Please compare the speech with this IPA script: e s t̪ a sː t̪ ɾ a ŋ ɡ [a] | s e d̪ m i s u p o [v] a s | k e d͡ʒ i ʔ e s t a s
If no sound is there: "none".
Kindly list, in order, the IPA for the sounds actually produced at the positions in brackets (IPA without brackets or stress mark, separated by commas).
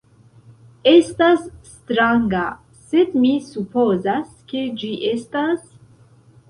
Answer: a, z